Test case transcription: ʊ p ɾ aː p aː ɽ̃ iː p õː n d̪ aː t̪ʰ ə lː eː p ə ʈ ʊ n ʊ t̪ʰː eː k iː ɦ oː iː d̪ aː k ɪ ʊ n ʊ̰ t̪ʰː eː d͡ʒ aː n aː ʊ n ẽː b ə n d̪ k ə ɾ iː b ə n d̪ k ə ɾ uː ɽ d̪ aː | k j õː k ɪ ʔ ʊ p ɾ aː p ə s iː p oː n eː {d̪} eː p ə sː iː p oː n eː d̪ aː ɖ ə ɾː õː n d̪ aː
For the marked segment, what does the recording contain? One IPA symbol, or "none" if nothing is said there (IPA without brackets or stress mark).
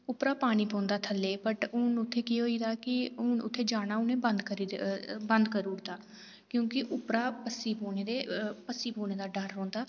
d̪